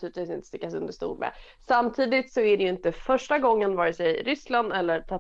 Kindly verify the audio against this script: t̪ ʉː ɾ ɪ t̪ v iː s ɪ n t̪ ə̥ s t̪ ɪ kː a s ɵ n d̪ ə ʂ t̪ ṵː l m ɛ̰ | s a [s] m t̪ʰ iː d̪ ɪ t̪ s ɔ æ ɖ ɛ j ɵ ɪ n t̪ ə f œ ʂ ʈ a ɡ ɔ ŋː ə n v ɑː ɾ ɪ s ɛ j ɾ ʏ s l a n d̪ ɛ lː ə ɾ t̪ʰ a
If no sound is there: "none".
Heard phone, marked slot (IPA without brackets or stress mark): none